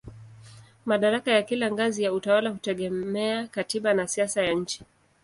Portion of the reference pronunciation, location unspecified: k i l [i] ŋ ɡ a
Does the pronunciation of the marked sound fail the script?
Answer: yes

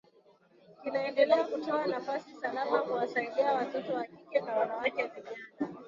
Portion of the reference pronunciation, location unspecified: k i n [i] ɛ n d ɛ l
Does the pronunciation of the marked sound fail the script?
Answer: yes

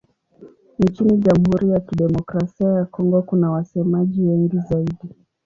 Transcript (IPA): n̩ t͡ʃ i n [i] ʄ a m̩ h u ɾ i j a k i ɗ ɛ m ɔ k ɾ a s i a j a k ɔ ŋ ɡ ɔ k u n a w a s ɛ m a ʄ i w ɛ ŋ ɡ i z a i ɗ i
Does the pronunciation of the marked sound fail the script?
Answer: no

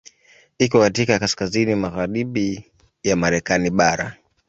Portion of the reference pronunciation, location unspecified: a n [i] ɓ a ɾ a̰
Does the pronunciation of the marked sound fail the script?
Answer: no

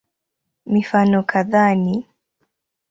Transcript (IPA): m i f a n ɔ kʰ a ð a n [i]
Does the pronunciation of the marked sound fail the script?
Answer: no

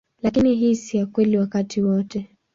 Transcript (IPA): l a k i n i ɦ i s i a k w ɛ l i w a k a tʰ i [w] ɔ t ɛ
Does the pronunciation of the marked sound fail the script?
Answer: no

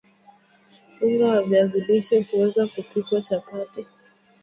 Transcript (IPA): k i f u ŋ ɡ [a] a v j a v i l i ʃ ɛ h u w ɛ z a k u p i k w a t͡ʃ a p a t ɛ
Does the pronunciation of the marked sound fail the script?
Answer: no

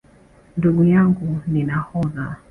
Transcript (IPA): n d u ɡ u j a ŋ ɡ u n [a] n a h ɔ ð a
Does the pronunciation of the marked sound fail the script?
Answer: yes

